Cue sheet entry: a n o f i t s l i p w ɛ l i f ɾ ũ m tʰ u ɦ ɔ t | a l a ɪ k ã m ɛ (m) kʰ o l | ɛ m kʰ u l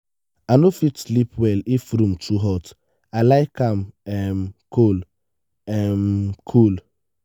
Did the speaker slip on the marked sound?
no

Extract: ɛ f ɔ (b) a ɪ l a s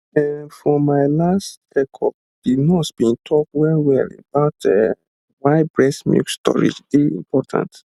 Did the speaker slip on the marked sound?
yes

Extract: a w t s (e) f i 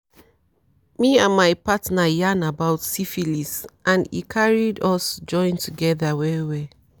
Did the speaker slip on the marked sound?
yes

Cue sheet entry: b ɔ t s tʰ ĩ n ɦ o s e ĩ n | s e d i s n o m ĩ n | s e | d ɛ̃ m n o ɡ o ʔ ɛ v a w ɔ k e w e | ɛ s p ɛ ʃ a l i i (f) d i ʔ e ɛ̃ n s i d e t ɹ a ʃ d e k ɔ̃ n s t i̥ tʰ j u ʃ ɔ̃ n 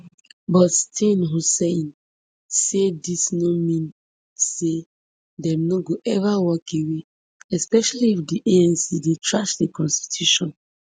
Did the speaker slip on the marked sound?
no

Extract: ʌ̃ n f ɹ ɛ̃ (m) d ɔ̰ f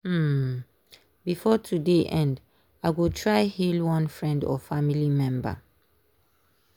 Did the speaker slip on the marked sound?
yes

